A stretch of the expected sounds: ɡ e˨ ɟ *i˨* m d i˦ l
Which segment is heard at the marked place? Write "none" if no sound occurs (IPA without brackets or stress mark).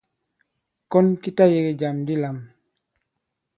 a˨